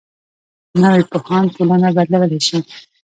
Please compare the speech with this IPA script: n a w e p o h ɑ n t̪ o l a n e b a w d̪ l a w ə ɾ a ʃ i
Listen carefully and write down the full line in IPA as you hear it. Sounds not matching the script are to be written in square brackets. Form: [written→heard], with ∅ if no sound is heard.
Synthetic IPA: n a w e p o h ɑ n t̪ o l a n [e→a] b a [w→∅] d̪ l a w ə [ɾ→l] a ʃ i